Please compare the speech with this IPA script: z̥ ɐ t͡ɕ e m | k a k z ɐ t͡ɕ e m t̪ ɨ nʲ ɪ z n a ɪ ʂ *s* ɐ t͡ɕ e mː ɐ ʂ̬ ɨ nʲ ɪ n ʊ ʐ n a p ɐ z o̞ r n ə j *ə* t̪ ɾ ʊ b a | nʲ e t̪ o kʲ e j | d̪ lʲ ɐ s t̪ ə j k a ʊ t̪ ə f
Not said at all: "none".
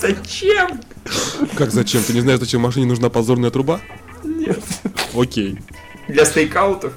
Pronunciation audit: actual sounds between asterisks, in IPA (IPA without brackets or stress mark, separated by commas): z, ə